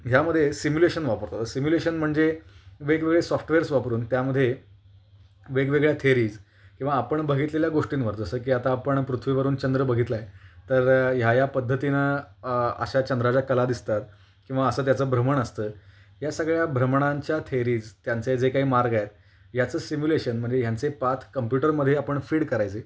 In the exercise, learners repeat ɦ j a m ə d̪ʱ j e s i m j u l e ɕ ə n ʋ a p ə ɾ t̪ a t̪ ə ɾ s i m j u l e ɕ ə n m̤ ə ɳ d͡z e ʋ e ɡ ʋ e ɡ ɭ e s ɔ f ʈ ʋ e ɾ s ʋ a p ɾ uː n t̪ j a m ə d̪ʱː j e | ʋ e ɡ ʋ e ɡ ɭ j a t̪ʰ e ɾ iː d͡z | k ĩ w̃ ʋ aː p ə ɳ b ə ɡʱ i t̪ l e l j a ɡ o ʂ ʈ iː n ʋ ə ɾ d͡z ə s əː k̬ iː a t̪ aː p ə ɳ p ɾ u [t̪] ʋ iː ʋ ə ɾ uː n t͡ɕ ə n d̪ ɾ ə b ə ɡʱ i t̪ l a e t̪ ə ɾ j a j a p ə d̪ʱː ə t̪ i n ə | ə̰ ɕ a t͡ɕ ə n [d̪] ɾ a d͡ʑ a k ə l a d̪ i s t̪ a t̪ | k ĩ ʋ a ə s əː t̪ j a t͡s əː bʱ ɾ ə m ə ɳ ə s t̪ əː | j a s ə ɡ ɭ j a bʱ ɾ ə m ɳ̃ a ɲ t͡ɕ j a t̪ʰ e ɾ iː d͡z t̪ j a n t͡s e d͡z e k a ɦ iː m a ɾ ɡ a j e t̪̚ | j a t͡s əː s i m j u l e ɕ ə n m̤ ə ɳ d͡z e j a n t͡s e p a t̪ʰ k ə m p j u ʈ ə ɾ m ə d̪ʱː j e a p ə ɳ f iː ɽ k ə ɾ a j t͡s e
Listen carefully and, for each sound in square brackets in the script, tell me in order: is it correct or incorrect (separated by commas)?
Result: incorrect, correct